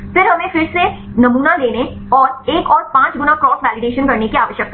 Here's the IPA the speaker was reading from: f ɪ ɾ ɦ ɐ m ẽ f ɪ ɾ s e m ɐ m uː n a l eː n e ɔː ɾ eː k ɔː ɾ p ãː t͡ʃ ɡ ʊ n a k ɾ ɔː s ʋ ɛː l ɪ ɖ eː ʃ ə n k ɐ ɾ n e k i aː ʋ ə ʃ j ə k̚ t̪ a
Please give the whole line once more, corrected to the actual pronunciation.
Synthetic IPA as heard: f ɪ ɾ ɦ ɐ m ẽ f ɪ ɾ s e n ɐ m uː n a l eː n e ɔː ɾ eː k ɔː ɾ p ãː t͡ʃ ɡ ʊ n a k ɾ ɔː s ʋ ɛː l ɪ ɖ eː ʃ ə n k ɐ ɾ n e k i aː ʋ ə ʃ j ə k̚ t̪ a